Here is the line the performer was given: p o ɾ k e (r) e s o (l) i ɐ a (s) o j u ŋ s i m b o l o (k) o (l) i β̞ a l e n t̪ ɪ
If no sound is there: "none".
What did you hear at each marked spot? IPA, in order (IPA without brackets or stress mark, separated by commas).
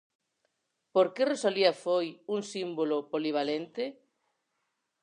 r, l, f, p, l